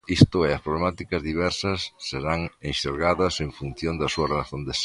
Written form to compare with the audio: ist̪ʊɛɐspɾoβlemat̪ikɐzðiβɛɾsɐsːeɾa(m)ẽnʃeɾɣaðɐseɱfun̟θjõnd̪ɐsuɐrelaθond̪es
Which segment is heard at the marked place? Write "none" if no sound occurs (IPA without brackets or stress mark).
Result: ŋ